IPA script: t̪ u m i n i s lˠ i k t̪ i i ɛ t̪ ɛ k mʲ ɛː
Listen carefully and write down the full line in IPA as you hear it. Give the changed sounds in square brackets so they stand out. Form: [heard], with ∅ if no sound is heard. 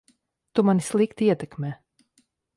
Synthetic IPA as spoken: t̪ u m [a] n i s lˠ i k t̪ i i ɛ t̪ ɛ k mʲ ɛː